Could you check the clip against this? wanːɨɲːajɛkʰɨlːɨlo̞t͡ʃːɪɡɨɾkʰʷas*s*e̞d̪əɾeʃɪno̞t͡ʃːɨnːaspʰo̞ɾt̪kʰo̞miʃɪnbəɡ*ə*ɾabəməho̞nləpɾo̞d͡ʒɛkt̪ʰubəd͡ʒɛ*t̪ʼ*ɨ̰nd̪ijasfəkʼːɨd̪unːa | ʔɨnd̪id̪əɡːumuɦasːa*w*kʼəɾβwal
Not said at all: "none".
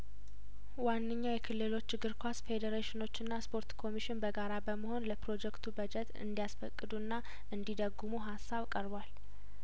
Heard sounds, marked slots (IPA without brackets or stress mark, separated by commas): f, a, t̪, β